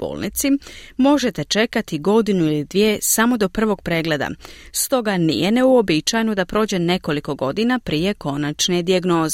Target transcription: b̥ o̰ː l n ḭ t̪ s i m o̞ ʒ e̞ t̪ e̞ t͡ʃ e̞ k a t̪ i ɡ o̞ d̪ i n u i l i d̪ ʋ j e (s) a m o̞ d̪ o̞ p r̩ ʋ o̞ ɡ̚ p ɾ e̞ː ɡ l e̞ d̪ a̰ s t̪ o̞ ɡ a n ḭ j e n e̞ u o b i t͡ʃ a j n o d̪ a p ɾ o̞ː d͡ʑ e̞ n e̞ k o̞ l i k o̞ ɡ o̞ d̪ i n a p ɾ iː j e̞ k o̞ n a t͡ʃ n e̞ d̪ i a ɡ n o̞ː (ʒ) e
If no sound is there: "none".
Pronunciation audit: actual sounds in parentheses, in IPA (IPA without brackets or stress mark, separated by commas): s, z